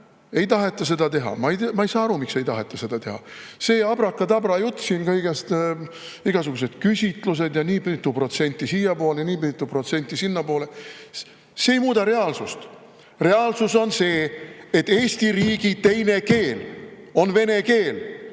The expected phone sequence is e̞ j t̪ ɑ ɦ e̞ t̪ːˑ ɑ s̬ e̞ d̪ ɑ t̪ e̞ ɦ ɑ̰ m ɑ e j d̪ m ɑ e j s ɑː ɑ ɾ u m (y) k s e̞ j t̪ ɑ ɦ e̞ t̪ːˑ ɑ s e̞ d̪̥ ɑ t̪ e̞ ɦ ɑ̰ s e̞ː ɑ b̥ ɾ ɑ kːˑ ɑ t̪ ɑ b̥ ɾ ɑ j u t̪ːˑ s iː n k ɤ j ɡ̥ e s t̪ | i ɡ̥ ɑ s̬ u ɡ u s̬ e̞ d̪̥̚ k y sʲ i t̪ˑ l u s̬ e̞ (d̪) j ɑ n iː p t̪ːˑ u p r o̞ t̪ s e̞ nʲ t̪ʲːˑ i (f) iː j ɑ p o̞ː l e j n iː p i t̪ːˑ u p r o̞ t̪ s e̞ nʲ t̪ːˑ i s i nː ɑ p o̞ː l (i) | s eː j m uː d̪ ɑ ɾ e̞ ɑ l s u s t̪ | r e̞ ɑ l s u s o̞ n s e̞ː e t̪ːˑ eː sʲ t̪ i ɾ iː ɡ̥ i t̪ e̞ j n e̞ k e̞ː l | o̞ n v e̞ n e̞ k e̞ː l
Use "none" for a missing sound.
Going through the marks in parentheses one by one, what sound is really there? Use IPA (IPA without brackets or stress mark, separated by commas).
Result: i, d̪, s, e